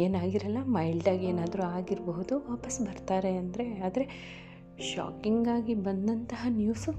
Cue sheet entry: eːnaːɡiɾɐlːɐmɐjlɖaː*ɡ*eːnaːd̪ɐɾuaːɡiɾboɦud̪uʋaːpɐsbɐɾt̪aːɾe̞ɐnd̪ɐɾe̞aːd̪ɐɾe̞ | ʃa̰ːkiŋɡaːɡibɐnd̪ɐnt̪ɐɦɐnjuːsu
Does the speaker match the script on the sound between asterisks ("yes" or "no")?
yes